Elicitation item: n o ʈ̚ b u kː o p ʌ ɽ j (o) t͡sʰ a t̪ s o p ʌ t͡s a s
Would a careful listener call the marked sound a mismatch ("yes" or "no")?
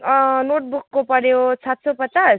no